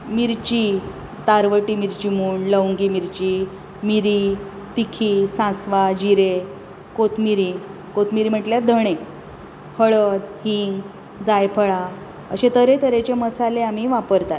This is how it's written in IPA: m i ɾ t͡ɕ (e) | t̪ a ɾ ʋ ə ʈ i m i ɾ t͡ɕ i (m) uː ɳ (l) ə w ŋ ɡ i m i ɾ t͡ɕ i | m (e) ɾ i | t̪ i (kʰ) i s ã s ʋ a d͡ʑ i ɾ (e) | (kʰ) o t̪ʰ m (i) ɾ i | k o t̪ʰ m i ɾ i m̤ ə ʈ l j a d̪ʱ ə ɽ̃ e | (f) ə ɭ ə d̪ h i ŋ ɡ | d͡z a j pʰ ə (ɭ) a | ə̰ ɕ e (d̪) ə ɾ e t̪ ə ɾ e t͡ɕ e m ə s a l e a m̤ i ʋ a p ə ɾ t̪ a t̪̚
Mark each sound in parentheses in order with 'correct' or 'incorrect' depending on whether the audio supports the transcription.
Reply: incorrect, correct, correct, incorrect, correct, correct, incorrect, correct, incorrect, correct, incorrect

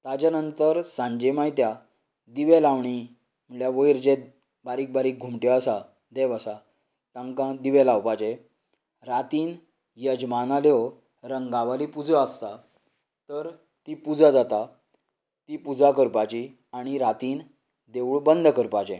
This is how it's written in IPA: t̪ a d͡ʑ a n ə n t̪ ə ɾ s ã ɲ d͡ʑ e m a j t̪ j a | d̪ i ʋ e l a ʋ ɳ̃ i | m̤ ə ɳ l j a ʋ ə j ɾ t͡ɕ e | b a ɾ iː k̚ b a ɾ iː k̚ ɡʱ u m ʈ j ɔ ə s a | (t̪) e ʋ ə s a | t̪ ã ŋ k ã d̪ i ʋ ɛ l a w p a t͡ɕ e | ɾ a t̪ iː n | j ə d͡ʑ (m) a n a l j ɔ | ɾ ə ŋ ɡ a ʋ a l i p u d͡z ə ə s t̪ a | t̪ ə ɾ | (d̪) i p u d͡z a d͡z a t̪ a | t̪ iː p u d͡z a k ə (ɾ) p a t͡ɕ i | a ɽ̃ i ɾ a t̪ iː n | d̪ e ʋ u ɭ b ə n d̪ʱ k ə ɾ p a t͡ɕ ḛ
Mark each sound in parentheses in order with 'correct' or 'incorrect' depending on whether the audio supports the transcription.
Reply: incorrect, correct, incorrect, correct

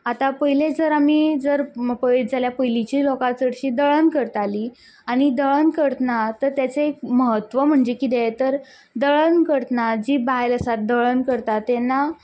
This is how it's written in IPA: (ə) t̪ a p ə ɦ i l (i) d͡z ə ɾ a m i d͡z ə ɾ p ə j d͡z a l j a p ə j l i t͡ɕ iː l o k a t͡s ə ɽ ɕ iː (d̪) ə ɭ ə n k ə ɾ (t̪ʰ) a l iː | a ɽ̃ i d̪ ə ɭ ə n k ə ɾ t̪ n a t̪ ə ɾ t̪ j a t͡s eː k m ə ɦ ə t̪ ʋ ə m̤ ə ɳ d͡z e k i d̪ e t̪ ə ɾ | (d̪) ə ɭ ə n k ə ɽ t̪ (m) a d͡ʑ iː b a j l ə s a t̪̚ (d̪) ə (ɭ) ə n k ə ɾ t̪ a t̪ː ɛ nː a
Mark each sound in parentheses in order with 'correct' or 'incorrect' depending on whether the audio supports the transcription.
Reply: incorrect, incorrect, correct, incorrect, correct, incorrect, correct, correct

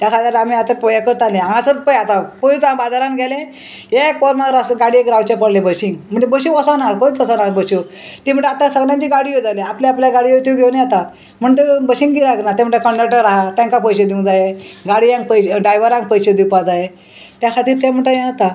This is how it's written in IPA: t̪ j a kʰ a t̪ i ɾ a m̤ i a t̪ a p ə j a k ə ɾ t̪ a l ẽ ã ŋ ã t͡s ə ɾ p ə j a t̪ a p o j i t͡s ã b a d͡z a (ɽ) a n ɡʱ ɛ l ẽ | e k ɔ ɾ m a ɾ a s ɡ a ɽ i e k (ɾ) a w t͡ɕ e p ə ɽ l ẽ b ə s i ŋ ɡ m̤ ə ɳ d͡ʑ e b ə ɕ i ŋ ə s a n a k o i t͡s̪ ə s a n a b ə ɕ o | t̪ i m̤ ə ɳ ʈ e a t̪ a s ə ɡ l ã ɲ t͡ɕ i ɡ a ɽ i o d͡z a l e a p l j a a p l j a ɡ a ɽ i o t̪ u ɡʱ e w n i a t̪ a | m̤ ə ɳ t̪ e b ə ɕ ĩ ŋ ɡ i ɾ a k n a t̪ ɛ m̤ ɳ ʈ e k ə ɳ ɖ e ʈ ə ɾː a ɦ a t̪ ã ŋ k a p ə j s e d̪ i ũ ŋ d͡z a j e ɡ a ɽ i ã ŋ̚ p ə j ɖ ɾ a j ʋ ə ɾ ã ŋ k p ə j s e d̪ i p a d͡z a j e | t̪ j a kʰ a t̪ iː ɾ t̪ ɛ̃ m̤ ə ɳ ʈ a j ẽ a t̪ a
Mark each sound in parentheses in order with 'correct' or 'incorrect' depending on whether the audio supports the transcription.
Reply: incorrect, correct

